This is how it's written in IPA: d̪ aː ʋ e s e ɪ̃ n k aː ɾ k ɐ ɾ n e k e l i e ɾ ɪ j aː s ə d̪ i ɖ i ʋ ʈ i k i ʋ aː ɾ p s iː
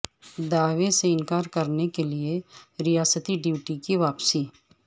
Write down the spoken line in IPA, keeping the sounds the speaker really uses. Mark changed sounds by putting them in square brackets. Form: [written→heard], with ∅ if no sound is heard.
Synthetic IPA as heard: d̪ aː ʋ e s e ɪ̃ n k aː ɾ k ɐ ɾ n e k e l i e ɾ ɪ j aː s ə [d̪→t̪] i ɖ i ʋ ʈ i k i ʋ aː [ɾ→∅] p s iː